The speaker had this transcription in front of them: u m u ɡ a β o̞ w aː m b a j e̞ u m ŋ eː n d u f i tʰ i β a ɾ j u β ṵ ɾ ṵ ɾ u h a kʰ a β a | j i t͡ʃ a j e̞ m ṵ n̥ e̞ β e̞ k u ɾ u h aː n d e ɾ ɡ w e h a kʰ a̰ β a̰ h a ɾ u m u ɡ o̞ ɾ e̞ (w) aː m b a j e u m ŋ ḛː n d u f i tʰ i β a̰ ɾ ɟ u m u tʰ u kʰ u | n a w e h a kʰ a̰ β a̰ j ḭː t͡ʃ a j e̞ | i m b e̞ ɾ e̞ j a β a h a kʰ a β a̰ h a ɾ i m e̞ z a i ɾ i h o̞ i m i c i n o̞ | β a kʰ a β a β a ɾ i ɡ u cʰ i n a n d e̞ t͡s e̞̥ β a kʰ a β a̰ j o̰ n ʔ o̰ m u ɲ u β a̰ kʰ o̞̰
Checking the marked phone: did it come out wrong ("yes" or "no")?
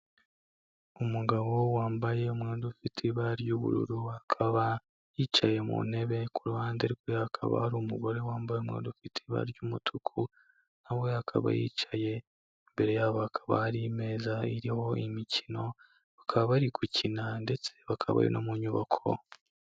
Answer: no